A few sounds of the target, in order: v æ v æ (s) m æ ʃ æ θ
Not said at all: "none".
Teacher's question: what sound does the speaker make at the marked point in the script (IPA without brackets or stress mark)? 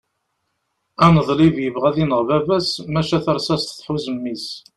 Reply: s